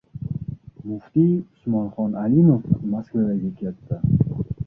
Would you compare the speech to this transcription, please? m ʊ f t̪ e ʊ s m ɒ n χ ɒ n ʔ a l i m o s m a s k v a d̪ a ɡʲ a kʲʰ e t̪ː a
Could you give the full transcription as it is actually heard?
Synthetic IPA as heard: m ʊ f t̪ i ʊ s m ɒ n χ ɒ n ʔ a l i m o f m a s k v a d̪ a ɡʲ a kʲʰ e t̪ː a